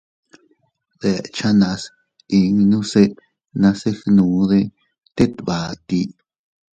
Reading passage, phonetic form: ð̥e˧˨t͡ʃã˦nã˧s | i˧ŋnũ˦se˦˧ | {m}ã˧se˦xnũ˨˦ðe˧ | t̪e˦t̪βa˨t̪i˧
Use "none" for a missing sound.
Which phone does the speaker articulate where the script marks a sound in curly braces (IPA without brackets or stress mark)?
n